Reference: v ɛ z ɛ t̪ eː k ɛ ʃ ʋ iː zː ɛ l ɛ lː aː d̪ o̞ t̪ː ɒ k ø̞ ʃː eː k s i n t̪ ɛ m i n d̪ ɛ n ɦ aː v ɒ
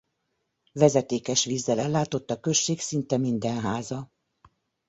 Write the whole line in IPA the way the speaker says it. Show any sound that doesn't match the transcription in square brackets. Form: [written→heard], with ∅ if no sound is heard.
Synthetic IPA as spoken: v ɛ z ɛ t̪ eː k ɛ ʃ ʋ iː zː ɛ l ɛ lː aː [d̪→t̪] o̞ t̪ː ɒ k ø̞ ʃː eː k s i n t̪ ɛ m i n d̪ ɛ n ɦ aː [v→z] ɒ